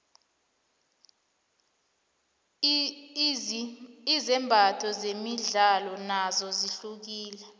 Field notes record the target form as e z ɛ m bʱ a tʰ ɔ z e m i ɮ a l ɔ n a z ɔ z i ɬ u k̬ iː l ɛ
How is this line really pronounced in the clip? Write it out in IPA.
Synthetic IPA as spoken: i z ɛ m bʱ a tʰ ɔ z e m i ɮ a l ɔ n a z ɔ z i ɬ u k̬ iː l ɛ